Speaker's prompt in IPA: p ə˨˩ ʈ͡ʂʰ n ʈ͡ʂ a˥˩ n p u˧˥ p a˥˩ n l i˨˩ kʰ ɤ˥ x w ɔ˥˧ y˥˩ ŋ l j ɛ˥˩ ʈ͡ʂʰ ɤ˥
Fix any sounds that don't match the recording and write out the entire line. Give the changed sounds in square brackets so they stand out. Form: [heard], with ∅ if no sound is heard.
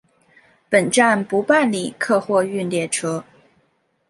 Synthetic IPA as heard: p ə˨˩ [∅] n ʈ͡ʂ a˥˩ n p u˧˥ p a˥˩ n l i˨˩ kʰ [ɤ˥˧] x w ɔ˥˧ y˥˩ [n] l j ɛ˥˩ ʈ͡ʂʰ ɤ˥